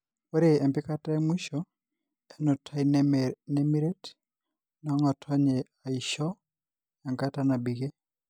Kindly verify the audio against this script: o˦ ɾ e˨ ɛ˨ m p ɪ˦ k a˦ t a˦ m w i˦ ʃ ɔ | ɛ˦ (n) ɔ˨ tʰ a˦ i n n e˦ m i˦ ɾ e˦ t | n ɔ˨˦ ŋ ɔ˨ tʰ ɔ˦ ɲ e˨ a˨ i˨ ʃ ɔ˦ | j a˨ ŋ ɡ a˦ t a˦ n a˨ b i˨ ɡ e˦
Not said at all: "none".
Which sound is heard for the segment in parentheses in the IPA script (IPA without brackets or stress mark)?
n